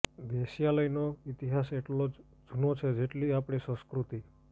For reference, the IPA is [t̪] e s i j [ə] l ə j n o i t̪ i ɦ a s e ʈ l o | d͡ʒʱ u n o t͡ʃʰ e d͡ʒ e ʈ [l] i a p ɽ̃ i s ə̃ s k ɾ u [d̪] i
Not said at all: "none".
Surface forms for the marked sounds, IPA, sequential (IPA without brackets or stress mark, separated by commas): d̪, a, l, t̪